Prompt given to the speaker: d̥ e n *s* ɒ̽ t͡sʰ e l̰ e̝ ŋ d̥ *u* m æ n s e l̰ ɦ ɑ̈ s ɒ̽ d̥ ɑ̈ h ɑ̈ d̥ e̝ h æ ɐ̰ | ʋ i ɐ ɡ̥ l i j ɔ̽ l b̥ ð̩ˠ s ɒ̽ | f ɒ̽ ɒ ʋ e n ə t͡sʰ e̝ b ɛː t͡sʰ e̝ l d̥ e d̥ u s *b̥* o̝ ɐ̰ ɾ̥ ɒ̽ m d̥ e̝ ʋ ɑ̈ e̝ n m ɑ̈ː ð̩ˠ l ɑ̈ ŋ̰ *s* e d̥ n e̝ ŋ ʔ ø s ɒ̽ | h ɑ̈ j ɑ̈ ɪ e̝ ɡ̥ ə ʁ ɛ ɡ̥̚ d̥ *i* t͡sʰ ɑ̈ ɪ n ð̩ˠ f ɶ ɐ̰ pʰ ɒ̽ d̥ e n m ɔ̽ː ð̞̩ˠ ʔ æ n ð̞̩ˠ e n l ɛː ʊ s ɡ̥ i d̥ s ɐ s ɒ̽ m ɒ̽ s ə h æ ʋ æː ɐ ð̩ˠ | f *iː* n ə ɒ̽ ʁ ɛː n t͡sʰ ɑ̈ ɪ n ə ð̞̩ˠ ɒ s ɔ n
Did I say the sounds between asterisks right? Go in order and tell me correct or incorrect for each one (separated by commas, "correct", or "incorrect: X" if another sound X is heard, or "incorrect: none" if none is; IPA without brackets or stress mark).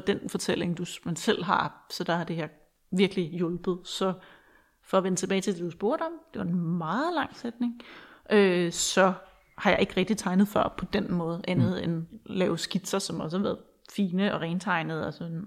incorrect: f, correct, correct, correct, correct, correct